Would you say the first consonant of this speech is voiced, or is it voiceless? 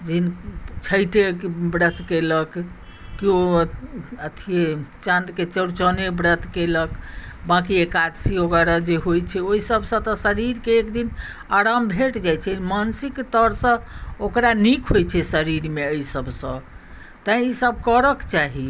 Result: voiced